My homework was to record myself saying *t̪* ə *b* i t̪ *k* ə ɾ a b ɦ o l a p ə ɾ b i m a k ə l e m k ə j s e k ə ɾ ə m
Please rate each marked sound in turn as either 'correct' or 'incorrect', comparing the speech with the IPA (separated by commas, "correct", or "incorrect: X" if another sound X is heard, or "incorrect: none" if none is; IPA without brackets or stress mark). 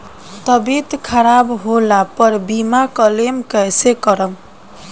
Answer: correct, correct, incorrect: kʰ